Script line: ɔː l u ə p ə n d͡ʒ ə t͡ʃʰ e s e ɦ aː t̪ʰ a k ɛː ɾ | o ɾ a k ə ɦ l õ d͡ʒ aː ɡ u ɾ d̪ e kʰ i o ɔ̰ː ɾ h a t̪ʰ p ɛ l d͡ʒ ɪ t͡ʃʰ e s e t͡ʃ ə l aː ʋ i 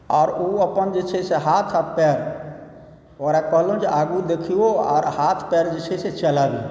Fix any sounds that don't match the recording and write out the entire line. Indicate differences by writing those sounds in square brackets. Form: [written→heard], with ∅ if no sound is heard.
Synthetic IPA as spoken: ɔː [l→ɾ] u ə p ə n d͡ʒ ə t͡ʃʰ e s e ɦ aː t̪ʰ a [k→p] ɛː ɾ | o ɾ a k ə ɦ l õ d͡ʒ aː ɡ u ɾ d̪ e kʰ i o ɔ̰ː ɾ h a t̪ʰ p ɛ [l→ɾ] d͡ʒ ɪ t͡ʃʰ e s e t͡ʃ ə l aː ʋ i